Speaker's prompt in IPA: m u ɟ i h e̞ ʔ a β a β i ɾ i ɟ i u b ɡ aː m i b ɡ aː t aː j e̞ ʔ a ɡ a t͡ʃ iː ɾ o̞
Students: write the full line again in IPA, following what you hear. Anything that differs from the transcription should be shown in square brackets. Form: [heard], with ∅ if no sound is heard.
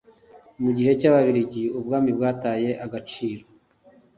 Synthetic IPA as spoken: m u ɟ i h e̞ [c] a β a β i ɾ i ɟ i u b ɡ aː m i b ɡ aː t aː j e̞ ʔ a ɡ a t͡ʃ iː ɾ o̞